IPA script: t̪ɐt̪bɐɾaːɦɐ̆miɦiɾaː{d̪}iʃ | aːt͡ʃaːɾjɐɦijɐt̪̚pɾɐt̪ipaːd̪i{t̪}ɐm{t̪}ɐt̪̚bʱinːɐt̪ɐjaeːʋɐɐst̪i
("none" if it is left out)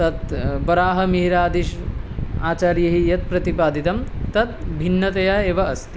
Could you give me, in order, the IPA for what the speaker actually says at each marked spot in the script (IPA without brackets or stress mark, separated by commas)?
d̪, t̪, t̪